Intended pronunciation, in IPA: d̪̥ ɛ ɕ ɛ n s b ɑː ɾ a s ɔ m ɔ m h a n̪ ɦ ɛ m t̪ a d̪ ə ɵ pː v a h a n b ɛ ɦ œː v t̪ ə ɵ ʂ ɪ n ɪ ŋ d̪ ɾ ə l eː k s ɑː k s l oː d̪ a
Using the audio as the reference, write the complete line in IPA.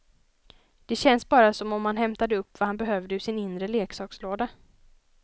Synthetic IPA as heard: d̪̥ ɛ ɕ ɛ n s b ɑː ɾ a s ɔ m ɔ m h a n̪ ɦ ɛ m t̪ a d̪ ə ɵ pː v a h a n b ɛ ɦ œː v d̪ ə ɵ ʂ ɪ n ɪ n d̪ ɾ ə l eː k s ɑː k s l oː d̪ a